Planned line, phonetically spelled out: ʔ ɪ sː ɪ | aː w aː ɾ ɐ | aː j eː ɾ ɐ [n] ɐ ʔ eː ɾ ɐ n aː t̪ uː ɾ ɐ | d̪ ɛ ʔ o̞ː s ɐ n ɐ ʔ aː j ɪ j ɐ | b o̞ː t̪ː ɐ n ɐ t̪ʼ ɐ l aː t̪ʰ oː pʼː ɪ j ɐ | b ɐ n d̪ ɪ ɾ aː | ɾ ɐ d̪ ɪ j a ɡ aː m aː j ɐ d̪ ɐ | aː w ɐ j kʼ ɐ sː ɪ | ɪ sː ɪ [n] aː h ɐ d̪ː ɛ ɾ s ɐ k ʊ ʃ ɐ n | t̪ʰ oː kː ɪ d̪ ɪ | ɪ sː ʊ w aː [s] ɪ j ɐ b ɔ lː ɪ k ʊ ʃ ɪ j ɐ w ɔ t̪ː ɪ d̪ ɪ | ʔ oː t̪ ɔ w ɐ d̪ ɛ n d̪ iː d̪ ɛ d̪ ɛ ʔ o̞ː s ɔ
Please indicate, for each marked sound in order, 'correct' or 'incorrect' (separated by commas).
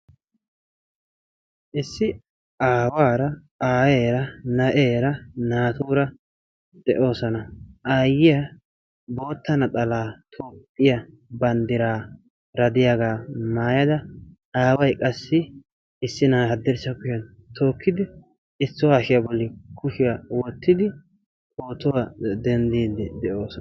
correct, correct, incorrect